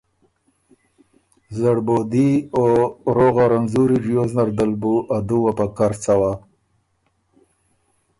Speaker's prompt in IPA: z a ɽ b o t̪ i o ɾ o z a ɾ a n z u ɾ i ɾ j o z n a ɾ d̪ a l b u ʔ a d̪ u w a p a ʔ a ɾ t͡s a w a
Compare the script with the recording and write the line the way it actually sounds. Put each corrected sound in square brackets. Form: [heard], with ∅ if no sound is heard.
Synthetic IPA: z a ɽ b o [d̪] i o ɾ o [ɣ] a ɾ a n z u ɾ i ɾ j o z n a ɾ d̪ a l b u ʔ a d̪ u w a p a [k] a ɾ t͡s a w a